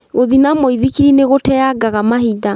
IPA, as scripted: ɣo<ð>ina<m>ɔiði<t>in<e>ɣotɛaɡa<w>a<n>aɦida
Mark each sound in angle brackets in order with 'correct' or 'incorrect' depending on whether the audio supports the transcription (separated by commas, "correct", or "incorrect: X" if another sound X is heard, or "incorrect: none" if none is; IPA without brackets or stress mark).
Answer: correct, correct, incorrect: k, correct, incorrect: ɣ, incorrect: m